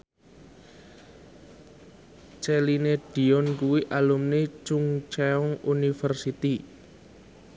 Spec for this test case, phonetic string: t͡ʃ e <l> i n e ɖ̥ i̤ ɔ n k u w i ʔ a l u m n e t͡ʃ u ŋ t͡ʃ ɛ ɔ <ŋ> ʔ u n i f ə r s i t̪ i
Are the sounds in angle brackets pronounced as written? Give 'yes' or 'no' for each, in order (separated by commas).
yes, yes